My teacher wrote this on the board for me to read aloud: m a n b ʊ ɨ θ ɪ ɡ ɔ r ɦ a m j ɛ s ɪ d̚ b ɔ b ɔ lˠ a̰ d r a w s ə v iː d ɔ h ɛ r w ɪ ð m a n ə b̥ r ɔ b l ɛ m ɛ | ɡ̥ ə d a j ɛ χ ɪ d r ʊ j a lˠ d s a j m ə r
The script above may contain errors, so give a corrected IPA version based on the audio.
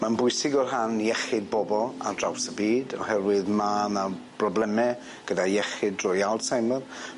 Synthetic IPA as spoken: m a n b ʊ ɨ s ɪ ɡ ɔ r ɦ a n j ɛ χ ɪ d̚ b ɔ b ɔ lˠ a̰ d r a w s ə b iː d ɔ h ɛ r w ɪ ð m a n a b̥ r ɔ b l ɛ m ɛ | ɡ̥ ə d a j ɛ χ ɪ d r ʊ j a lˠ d s a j m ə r